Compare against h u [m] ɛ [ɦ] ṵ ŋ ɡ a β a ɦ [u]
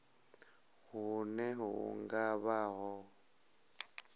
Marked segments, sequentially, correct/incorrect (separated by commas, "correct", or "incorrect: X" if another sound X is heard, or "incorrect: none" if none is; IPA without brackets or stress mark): incorrect: n, correct, incorrect: ɔ